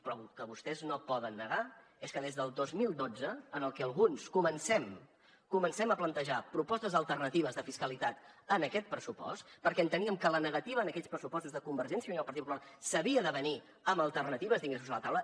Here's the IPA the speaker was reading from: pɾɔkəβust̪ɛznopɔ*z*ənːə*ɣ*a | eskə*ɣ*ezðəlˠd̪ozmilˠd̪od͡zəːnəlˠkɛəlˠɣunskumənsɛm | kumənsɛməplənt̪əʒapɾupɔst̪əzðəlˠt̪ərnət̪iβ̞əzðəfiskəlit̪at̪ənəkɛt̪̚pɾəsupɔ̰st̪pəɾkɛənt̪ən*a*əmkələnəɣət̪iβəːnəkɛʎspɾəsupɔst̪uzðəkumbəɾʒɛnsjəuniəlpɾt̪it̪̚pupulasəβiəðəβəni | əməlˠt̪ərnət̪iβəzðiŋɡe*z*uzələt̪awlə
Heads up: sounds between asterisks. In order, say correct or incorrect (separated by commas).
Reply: incorrect, correct, incorrect, incorrect, incorrect